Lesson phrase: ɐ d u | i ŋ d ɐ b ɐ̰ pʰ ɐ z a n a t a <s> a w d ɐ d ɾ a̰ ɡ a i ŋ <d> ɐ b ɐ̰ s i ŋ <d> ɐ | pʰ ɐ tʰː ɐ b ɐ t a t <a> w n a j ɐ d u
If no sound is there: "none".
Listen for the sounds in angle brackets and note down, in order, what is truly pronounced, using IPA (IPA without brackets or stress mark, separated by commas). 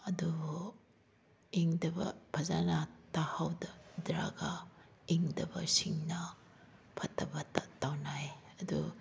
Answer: h, d, n, a